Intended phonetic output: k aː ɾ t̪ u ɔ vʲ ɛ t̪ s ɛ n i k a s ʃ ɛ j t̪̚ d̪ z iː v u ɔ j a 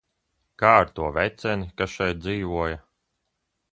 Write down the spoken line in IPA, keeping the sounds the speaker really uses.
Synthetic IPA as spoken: k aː ɾ t̪ u ɔ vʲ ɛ t̪ s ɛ n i k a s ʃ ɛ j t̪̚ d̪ z iː v u ɔ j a